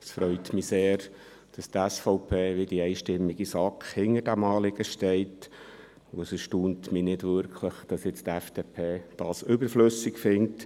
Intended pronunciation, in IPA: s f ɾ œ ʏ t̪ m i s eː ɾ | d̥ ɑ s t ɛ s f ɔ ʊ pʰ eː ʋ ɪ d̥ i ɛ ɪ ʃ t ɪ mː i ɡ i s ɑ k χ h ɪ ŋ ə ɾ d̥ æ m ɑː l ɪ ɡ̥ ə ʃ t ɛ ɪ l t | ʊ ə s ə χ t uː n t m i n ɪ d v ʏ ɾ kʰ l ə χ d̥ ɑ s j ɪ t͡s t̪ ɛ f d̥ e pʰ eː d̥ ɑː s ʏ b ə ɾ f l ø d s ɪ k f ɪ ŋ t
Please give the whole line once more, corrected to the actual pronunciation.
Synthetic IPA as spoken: s f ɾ œ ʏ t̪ m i s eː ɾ | d̥ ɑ s t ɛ s f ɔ ʊ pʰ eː ʋ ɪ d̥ i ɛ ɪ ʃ t ɪ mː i ɡ i s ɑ k χ h ɪ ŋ ə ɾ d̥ æ m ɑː l ɪ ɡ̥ ə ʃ t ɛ ɪ t | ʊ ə s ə ʃ t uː n t m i n ɪ d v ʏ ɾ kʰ l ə χ d̥ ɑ s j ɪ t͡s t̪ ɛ f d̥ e pʰ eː d̥ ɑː s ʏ b ə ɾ f l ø s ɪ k f ɪ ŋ t